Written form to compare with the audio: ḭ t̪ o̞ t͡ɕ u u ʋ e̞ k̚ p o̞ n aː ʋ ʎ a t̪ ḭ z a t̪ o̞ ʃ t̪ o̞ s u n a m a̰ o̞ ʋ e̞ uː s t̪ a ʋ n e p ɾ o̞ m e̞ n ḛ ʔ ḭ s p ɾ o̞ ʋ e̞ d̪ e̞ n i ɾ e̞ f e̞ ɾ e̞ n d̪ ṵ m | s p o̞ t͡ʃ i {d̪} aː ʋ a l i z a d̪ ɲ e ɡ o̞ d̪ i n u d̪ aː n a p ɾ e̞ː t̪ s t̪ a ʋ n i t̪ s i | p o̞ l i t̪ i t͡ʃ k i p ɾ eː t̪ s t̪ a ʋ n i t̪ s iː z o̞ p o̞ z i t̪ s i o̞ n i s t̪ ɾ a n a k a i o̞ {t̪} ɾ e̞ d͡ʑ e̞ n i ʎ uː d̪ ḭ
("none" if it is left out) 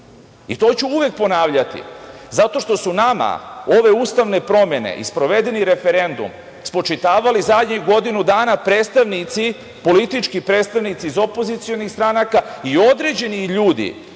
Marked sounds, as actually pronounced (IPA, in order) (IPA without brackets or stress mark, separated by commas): t̪, d̪